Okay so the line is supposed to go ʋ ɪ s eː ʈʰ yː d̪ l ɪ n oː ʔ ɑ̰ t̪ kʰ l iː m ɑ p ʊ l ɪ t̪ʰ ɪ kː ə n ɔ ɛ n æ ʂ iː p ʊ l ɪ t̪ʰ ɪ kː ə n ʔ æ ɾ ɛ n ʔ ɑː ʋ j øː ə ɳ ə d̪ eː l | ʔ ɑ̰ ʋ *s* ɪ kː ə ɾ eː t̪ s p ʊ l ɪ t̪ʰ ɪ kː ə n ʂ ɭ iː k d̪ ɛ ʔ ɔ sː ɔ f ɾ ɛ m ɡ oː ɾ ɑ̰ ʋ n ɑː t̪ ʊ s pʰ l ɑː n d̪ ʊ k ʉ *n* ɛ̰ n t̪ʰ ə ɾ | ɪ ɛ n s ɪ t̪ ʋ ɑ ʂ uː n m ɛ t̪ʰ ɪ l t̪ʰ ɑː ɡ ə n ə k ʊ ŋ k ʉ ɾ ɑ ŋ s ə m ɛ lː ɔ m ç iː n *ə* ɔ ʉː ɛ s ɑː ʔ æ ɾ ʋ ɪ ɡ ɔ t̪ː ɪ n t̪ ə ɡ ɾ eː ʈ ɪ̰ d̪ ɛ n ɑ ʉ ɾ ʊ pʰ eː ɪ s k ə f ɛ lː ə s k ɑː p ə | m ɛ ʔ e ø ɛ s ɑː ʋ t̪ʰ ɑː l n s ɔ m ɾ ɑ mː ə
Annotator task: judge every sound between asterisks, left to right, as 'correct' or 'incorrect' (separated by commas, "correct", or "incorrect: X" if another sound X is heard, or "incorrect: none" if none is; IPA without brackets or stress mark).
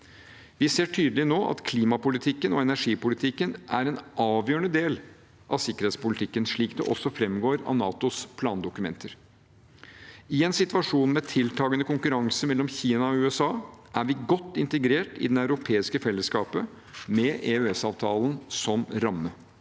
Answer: correct, incorrect: m, incorrect: ɑ